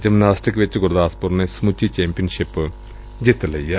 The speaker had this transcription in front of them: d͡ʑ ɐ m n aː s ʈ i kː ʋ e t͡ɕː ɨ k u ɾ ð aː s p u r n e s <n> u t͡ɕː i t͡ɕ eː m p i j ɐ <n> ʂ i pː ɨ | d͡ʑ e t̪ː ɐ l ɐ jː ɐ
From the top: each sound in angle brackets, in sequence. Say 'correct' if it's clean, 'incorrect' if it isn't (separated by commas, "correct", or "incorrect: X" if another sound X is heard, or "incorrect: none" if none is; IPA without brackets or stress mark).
incorrect: m, correct